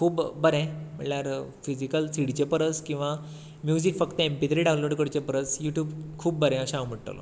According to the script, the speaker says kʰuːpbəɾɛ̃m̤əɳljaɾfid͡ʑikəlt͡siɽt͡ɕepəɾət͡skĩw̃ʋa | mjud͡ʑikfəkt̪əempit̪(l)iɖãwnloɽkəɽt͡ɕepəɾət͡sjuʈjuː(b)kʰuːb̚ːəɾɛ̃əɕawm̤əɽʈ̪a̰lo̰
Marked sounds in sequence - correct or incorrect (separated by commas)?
incorrect, correct